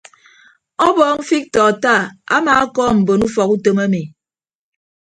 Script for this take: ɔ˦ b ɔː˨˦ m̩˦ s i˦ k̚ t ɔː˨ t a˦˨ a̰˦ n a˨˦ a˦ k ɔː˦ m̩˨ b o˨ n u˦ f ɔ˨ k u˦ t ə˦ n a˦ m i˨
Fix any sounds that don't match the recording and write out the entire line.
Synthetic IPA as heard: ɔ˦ b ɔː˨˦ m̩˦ f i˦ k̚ t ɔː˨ t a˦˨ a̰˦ m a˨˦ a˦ k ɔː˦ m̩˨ b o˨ n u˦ f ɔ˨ k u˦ t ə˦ m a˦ m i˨